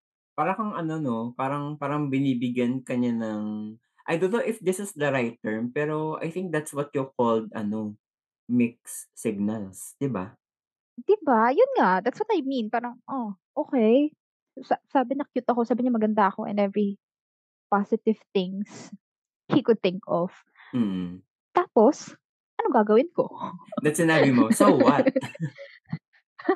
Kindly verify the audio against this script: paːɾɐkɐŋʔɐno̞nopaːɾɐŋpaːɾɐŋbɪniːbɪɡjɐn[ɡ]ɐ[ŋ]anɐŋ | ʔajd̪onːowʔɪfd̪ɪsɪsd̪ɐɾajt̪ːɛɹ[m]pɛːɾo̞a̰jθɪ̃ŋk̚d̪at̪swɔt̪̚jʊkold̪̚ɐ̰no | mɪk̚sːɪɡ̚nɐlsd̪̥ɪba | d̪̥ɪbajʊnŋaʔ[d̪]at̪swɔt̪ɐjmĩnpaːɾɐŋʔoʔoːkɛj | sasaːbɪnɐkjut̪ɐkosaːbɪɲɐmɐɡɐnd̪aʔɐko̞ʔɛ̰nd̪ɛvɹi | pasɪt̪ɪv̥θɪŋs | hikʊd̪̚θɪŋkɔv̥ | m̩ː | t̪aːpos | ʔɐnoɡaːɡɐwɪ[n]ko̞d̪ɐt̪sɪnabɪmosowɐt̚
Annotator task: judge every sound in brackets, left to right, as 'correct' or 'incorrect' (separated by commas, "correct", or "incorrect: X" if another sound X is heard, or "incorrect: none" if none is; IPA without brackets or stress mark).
incorrect: k, incorrect: ɲ, correct, correct, correct